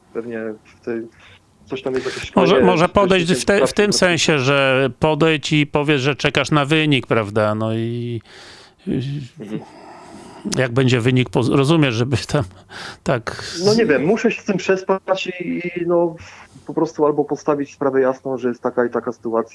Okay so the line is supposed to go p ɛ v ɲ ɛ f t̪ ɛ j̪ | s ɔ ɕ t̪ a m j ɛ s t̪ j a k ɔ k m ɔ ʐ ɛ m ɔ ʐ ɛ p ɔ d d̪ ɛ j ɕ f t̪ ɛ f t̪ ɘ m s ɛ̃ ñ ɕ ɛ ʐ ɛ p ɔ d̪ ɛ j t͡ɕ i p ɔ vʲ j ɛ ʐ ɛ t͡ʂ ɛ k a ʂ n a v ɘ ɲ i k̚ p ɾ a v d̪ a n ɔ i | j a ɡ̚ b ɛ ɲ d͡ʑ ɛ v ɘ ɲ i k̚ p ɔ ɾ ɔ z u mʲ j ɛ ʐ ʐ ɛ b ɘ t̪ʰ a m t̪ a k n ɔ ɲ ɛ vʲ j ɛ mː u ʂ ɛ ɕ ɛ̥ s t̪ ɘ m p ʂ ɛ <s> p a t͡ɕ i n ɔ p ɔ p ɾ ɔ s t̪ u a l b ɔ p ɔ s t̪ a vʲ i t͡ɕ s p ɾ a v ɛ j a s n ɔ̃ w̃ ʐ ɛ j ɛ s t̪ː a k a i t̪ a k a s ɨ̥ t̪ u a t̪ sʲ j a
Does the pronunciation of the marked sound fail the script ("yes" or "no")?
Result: no